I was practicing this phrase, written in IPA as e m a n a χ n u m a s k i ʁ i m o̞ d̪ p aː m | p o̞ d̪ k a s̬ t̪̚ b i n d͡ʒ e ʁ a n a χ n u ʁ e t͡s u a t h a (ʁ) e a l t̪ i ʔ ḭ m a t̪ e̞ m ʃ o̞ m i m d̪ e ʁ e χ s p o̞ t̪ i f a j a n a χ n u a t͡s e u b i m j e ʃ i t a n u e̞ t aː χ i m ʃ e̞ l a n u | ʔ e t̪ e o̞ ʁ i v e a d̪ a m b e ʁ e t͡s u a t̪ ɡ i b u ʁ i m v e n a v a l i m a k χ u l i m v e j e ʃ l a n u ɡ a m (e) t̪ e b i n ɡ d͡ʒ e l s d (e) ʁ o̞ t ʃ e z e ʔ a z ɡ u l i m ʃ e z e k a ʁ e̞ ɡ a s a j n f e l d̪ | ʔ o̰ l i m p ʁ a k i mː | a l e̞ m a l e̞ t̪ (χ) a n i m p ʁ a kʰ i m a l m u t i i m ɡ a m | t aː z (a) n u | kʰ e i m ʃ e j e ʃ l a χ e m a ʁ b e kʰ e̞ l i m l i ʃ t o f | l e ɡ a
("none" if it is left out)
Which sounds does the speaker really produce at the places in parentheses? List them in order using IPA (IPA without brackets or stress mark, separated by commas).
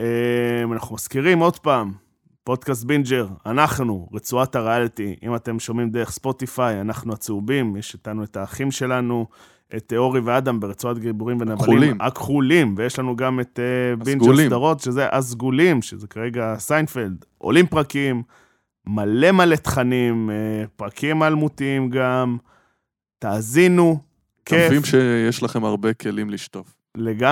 ʁ, e, a, χ, i